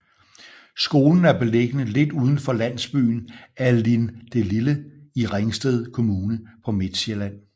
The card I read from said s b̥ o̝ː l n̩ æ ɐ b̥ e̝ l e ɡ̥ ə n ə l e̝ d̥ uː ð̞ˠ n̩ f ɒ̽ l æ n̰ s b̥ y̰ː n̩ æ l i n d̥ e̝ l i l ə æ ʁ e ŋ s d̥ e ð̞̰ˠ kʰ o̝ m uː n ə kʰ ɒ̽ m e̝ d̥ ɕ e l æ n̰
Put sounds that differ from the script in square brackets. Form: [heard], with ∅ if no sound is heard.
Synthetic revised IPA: s [ɡ̥] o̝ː l n̩ æ ɐ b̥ e̝ l e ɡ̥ ə n ə l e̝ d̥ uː ð̞ˠ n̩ f ɒ̽ l æ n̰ s b̥ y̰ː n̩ æ l i n d̥ e̝ l i l ə [i] ʁ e ŋ s d̥ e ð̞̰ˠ kʰ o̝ m uː n ə [pʰ] ɒ̽ m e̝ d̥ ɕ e l æ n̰

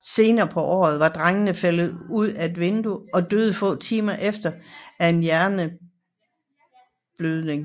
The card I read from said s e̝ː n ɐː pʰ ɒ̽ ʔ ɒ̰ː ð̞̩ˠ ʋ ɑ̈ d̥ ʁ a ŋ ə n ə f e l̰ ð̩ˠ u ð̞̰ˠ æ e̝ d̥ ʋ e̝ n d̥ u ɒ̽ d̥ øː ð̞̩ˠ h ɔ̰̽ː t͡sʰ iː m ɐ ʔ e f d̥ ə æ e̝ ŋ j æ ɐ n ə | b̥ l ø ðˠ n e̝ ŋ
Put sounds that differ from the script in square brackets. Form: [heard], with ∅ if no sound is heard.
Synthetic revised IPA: s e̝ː n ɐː pʰ ɒ̽ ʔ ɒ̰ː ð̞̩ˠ ʋ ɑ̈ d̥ ʁ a ŋ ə n ə f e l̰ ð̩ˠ u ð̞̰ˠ æ e̝ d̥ ʋ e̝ n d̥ u ɒ̽ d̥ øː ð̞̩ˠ [f] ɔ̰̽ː t͡sʰ iː m ɐ ʔ e f d̥ [ɐ] æ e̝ [n] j æ ɐ n ə | b̥ l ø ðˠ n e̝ ŋ

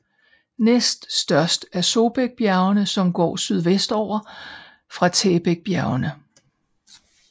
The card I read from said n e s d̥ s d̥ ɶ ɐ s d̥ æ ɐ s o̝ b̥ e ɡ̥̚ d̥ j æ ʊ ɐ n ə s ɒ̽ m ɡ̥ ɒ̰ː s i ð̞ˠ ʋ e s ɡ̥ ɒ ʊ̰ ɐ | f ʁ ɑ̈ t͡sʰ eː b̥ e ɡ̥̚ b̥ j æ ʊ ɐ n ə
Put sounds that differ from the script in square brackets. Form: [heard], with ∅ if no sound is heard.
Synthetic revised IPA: n e s d̥ s d̥ ɶ ɐ s d̥ æ ɐ s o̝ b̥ e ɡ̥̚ [b̥] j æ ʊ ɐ n ə s ɒ̽ m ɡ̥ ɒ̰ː s [y] ð̞ˠ ʋ e s [d̥] ɒ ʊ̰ ɐ | f ʁ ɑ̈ t͡sʰ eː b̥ e ɡ̥̚ b̥ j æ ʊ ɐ n ə

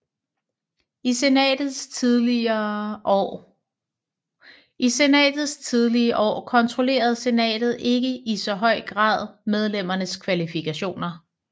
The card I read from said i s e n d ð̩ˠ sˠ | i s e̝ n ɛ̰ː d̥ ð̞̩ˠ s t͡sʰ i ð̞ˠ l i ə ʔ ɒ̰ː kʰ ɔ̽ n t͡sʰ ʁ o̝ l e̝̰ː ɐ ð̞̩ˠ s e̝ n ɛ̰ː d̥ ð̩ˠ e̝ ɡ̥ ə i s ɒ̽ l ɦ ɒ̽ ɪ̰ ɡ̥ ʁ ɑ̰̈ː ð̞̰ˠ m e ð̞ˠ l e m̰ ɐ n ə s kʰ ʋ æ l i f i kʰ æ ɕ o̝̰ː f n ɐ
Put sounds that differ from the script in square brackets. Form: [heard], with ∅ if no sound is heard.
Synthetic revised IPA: i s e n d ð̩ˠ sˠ | i s e̝ n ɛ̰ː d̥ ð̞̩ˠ s t͡sʰ i ð̞ˠ l i ə ʔ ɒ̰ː kʰ [ɒ̽] n t͡sʰ ʁ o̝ l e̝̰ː ɐ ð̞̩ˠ s e̝ n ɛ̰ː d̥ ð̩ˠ e̝ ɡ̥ ə i s ɒ̽ [∅] ɦ ɒ̽ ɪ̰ ɡ̥ ʁ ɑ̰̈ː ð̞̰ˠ m e ð̞ˠ l e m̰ ɐ n ə s kʰ ʋ æ l i f i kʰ æ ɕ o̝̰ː [∅] n ɐ

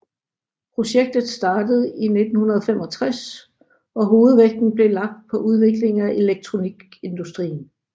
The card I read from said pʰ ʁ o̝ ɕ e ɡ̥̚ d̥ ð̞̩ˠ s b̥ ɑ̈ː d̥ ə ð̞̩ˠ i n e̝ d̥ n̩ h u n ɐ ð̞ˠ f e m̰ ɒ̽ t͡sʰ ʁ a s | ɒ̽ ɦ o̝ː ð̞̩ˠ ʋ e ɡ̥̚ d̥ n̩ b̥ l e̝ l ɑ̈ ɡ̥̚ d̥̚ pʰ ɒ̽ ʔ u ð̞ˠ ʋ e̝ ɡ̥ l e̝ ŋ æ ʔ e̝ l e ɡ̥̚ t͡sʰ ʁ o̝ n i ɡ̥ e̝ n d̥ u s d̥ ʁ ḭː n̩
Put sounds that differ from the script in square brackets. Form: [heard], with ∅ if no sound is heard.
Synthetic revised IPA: pʰ ʁ o̝ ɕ e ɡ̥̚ d̥ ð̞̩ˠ s [d̥] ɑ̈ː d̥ ə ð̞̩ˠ i n e̝ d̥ n̩ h u n ɐ ð̞ˠ f e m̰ ɒ̽ t͡sʰ ʁ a s | ɒ̽ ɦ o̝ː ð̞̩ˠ ʋ e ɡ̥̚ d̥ n̩ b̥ l e̝ l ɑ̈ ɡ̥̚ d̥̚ pʰ ɒ̽ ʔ u ð̞ˠ ʋ e̝ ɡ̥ l e̝ ŋ æ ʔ e̝ l e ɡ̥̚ t͡sʰ ʁ o̝ n i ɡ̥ e̝ n d̥ u s d̥ ʁ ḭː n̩

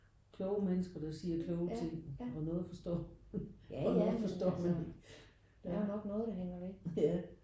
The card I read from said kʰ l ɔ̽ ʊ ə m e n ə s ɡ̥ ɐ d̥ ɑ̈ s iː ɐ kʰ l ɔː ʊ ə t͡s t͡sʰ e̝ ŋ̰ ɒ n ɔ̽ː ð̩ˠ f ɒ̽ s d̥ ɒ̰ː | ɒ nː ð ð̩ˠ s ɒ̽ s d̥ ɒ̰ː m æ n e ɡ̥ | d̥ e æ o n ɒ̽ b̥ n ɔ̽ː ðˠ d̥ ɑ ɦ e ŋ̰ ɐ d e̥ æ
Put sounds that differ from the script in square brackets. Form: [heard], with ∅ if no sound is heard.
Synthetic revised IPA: kʰ l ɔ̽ ʊ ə m e n ə s ɡ̥ ɐ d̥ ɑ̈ s iː ɐ kʰ l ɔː ʊ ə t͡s t͡sʰ e̝ ŋ̰ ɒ n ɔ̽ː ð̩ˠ f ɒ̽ s d̥ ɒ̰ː | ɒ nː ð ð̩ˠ [f] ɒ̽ s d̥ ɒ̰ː m æ n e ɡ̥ | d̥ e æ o n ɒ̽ [ɡ̥] n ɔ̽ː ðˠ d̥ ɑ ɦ e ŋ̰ ɐ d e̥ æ

